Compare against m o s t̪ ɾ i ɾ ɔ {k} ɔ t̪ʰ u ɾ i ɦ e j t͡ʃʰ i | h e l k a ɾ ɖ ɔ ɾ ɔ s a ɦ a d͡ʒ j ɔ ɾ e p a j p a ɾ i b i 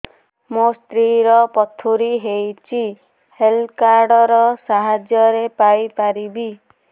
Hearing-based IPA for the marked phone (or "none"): p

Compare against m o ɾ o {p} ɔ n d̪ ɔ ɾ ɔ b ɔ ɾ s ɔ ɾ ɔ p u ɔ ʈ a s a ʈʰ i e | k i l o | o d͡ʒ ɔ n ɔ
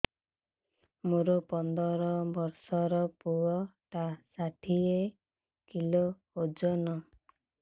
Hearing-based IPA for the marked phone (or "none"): p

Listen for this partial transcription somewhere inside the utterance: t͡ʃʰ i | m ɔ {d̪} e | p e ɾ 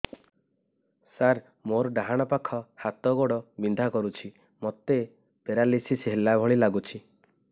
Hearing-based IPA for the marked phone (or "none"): t̪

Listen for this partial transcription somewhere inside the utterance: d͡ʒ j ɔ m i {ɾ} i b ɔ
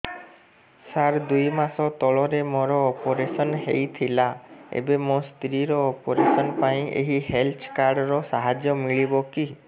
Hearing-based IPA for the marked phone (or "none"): ɭ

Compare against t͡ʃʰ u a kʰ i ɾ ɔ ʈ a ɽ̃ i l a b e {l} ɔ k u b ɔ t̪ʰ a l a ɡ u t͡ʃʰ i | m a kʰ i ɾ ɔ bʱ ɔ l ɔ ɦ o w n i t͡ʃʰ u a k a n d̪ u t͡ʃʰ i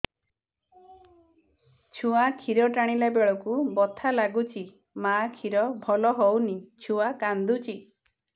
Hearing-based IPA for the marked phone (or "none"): ɭ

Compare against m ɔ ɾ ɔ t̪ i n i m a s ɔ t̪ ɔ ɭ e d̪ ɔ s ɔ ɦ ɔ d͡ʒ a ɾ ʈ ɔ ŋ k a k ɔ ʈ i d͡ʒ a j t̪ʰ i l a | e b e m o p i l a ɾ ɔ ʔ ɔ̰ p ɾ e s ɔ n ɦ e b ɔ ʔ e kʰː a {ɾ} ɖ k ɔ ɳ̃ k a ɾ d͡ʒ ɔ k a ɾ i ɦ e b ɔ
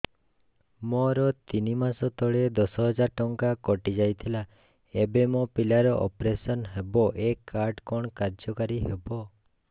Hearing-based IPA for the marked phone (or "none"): ɾ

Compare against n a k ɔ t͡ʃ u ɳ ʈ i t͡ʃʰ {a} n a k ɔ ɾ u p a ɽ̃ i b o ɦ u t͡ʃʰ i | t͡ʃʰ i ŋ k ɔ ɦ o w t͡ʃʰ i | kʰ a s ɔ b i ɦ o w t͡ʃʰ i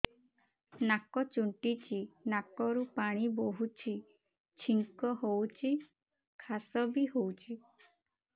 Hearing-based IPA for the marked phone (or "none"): i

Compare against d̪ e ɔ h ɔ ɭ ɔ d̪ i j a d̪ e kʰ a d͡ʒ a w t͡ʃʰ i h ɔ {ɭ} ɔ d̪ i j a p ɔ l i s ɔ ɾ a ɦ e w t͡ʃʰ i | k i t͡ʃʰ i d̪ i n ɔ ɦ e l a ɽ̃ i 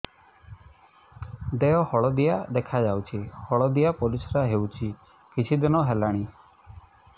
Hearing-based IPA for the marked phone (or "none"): ɭ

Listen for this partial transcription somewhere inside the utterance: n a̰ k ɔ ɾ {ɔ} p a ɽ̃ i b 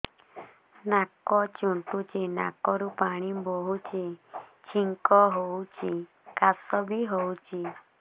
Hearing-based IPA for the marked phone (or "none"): u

